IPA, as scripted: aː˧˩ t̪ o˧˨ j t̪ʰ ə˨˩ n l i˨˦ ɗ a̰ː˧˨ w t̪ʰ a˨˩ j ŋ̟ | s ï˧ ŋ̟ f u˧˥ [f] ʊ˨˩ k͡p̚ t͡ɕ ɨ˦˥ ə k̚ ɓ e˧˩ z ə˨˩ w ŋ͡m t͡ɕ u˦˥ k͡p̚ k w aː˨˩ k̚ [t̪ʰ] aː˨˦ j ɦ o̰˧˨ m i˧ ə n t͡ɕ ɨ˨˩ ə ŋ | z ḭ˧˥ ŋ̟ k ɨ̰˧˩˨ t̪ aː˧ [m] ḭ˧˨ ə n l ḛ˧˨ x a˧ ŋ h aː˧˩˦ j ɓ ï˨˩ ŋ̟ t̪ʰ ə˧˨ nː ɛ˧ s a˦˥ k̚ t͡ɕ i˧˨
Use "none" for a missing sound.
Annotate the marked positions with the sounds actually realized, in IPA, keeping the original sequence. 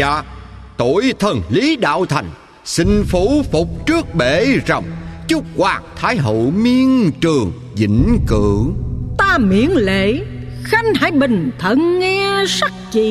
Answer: f, t̪ʰ, m

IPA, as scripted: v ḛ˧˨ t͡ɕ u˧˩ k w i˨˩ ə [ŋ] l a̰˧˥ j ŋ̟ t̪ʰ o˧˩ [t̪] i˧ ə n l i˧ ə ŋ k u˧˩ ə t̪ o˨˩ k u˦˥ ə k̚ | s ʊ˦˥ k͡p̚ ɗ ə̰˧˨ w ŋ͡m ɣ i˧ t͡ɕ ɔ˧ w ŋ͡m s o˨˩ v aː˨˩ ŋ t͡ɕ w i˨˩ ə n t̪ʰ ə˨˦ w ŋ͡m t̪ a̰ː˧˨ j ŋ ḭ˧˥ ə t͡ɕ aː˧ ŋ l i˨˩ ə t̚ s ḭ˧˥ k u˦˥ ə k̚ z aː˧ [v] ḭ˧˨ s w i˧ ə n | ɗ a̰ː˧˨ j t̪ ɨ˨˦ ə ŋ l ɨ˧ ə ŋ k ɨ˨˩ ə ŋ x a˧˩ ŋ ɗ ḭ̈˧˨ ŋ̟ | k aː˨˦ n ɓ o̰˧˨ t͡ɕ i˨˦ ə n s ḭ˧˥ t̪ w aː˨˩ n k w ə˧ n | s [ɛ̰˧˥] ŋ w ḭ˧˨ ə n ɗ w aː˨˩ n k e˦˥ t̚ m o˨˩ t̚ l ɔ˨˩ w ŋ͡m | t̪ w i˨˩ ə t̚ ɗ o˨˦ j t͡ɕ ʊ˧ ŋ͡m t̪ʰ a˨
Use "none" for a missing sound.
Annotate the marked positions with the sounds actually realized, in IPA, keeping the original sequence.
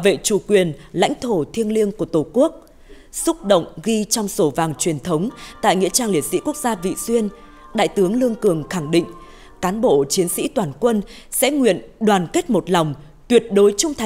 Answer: n, t̪ʰ, v, ɛ̰˧˥

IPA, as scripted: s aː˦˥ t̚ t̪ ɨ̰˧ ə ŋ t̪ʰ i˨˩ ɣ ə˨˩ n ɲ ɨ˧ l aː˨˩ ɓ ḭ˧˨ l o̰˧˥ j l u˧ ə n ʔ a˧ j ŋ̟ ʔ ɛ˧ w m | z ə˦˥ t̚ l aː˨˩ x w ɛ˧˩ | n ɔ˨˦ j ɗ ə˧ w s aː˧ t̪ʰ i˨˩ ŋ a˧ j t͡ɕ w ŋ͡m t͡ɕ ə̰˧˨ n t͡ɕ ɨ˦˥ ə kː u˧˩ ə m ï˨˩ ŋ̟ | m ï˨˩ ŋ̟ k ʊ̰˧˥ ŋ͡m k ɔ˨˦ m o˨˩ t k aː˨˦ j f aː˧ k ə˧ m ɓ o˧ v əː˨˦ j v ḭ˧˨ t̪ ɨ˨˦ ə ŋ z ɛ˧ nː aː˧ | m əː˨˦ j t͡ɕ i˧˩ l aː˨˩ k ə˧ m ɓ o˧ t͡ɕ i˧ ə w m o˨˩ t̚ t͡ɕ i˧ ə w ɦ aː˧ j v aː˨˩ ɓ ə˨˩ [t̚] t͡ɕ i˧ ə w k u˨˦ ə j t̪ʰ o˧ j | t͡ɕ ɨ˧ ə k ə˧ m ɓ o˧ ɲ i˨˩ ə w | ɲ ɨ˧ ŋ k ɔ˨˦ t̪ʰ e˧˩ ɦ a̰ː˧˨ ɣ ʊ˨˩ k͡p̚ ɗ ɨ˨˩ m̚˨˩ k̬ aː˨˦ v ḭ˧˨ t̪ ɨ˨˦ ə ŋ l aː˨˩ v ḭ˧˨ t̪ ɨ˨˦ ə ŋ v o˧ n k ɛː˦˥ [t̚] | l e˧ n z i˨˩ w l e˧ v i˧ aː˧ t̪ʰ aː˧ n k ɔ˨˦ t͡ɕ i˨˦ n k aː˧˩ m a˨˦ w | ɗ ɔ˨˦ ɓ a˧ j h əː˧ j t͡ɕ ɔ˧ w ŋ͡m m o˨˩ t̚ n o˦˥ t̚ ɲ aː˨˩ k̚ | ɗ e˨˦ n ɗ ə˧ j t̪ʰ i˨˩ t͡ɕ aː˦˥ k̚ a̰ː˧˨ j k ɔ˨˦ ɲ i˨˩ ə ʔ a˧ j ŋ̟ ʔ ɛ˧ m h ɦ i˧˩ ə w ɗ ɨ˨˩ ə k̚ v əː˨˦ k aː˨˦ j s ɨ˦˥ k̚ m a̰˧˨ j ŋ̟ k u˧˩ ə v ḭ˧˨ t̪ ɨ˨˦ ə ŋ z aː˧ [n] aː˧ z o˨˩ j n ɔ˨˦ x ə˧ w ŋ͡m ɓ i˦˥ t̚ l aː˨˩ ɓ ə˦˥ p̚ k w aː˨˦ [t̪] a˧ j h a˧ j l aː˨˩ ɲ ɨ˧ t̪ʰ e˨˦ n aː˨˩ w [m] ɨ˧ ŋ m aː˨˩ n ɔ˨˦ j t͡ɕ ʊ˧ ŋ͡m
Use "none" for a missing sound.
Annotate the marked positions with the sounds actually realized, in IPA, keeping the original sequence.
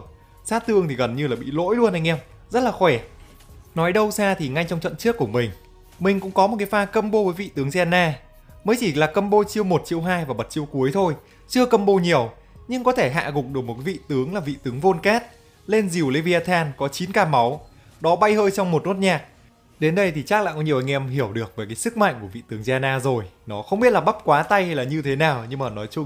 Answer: t̚, t̚, n, t̪, ɲ

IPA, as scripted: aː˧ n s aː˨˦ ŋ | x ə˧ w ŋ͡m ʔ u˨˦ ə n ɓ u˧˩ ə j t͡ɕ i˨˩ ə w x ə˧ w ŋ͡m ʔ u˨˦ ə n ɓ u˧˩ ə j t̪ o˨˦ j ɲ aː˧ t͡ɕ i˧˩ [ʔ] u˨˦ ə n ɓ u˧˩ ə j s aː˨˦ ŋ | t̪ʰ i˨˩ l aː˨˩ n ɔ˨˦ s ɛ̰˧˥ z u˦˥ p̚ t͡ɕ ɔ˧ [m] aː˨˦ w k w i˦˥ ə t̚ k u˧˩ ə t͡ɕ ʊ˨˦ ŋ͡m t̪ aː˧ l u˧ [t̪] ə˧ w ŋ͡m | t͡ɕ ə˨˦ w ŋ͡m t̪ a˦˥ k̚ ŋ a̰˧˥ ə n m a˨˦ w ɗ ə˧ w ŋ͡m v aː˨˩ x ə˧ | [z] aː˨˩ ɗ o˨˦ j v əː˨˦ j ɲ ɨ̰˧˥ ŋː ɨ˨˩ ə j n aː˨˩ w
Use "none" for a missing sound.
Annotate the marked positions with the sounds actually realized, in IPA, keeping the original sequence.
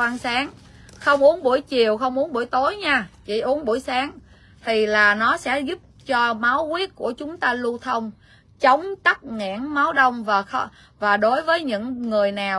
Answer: ʔ, m, t̪ʰ, v

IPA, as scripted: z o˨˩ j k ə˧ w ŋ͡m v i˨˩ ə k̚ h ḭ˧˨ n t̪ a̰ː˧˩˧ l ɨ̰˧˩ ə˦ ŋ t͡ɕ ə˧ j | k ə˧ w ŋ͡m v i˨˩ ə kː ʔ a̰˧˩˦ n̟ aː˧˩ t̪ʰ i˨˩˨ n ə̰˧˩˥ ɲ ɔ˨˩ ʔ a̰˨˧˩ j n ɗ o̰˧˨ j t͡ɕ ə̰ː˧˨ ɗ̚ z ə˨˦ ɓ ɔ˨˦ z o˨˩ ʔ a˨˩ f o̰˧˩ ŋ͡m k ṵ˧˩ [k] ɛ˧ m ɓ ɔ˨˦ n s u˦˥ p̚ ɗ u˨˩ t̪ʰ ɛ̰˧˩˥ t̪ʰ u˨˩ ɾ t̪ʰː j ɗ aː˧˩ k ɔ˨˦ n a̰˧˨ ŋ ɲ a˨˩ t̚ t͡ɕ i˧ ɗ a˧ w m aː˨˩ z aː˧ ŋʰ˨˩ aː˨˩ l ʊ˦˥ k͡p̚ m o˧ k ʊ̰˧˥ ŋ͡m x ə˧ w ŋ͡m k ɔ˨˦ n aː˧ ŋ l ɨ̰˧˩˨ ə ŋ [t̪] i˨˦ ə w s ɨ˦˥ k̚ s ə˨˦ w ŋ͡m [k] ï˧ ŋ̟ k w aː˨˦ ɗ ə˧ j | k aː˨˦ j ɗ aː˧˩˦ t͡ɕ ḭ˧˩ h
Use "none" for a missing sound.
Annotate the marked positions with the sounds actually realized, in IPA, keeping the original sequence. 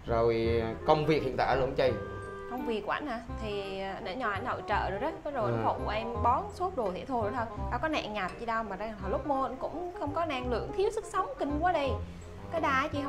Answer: ʔ, t̪ʰ, k

